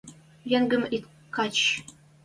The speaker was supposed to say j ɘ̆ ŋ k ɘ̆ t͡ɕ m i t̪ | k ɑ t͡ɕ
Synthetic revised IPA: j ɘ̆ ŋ ɡ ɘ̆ m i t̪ | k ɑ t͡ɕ